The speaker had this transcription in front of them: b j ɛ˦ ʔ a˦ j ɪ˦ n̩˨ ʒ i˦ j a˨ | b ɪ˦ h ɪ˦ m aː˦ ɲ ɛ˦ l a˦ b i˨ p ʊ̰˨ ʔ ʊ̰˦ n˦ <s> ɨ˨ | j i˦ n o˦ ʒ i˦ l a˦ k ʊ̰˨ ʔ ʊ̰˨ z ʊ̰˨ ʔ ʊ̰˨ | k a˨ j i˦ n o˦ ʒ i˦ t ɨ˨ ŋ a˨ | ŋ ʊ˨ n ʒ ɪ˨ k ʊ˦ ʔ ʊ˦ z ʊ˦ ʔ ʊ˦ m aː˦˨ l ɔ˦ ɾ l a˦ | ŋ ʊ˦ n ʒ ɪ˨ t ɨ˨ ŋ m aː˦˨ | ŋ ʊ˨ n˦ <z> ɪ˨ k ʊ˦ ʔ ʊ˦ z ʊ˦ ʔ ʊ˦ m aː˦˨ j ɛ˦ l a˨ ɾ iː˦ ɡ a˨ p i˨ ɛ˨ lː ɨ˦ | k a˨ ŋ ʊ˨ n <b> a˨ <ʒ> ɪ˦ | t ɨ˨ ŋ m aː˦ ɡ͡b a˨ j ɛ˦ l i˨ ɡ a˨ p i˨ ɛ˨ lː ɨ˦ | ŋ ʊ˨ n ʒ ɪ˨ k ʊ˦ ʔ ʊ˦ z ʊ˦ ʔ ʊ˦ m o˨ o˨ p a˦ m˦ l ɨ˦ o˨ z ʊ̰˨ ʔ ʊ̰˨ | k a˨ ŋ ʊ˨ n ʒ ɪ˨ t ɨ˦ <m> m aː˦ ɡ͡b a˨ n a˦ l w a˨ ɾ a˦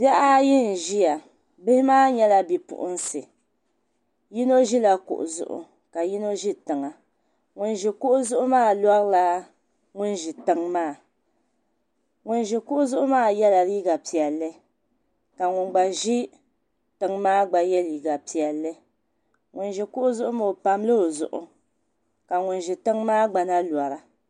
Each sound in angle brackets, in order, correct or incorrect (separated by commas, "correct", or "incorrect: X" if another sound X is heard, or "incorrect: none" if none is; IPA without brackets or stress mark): correct, incorrect: ʒ, incorrect: ɡ͡b, correct, incorrect: ŋ